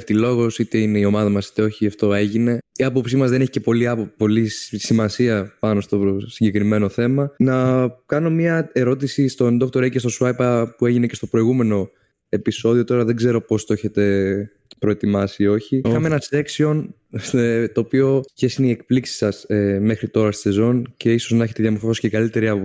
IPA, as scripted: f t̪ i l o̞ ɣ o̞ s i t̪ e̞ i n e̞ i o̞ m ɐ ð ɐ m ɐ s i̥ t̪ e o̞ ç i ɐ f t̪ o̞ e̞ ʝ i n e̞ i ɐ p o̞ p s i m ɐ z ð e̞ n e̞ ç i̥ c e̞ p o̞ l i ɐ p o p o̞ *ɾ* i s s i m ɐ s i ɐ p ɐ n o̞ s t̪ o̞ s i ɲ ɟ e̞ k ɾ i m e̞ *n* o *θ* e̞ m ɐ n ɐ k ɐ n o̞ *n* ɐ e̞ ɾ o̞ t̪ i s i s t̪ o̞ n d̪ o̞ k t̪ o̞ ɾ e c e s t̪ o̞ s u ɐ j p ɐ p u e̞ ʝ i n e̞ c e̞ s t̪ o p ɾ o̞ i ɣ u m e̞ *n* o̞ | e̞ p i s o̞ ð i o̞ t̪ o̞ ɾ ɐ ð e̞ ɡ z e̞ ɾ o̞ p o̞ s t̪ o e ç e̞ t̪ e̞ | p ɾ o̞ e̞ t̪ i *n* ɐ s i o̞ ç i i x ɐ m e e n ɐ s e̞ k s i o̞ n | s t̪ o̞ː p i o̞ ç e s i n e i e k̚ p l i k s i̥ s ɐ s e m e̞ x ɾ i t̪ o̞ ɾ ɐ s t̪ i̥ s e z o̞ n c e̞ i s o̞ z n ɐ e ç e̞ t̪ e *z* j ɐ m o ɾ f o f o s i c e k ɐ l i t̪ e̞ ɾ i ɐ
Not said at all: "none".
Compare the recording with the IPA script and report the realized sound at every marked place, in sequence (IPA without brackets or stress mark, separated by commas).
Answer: l, n, θ, m, n, m, ð